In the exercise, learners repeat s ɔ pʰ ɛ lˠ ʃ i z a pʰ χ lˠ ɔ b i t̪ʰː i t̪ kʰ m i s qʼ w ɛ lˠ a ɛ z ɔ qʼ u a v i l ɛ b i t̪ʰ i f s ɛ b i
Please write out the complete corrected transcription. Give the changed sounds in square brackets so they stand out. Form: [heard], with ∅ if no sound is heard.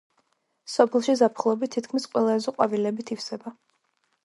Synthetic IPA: s ɔ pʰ ɛ lˠ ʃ i z a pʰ χ lˠ ɔ b i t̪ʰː i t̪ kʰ m i s qʼ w ɛ lˠ a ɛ z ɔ qʼ [w] a v i l ɛ b i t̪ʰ i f s ɛ b [a]